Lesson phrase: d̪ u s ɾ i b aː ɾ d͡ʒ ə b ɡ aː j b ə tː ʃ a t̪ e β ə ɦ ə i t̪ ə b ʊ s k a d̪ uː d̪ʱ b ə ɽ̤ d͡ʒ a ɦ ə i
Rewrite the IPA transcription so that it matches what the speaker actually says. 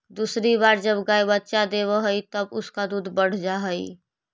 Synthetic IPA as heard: d̪ u s ɾ i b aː ɾ d͡ʒ ə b ɡ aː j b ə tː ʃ a d̪ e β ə ɦ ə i t̪ ə b ʊ s k a d̪ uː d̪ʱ b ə ɽ̤ d͡ʒ a ɦ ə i